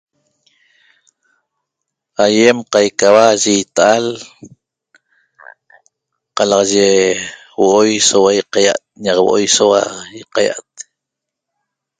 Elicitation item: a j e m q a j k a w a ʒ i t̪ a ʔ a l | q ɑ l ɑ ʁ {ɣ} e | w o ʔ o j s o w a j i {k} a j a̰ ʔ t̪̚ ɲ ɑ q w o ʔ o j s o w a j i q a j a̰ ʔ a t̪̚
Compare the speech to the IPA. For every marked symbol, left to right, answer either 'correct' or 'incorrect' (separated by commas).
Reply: incorrect, incorrect